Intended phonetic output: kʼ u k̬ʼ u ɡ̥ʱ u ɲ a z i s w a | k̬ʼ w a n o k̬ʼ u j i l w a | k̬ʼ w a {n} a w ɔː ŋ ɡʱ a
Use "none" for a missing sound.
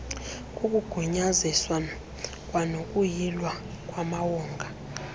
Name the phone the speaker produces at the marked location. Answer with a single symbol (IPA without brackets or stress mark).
m